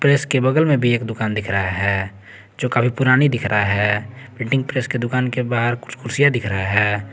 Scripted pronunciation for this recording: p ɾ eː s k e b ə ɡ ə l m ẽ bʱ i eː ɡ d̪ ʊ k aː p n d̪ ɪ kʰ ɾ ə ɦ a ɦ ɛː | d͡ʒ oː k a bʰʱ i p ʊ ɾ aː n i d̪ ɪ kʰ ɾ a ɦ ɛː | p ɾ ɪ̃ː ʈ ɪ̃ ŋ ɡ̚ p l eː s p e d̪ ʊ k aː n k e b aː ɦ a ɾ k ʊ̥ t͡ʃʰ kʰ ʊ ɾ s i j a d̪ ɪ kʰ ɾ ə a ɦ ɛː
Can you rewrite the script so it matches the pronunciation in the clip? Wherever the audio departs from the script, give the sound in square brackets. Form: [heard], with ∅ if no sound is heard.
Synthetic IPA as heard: p ɾ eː s k e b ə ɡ ə l m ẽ bʱ i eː [k] d̪ ʊ k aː [∅] n d̪ ɪ kʰ ɾ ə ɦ a ɦ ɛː | d͡ʒ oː k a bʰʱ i p ʊ ɾ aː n i d̪ ɪ kʰ ɾ a ɦ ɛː | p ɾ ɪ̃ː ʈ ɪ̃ ŋ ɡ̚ p [ɾ] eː s [k] e d̪ ʊ k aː n k e b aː ɦ [ə] ɾ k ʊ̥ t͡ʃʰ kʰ ʊ ɾ s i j a d̪ ɪ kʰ ɾ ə a ɦ ɛː

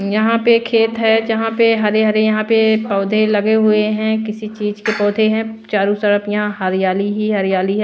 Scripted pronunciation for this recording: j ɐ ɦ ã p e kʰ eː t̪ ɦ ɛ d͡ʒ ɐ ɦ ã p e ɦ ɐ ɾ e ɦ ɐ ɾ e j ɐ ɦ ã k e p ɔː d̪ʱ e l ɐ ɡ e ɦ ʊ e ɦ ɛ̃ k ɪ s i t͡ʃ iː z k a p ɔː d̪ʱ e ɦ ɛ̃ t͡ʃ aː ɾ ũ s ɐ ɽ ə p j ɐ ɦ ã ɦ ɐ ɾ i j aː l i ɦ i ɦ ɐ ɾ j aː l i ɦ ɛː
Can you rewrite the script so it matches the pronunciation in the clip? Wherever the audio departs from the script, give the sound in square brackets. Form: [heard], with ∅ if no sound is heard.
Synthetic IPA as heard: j ɐ ɦ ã p e kʰ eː t̪ ɦ ɛ d͡ʒ ɐ ɦ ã p e ɦ ɐ ɾ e ɦ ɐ ɾ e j ɐ ɦ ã [p] e p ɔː d̪ʱ e l ɐ ɡ e ɦ ʊ e ɦ ɛ̃ k ɪ s i t͡ʃ iː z k [e] p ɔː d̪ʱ e ɦ ɛ̃ t͡ʃ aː ɾ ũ s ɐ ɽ ə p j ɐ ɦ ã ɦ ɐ ɾ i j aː l i ɦ i ɦ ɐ ɾ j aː l i ɦ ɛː

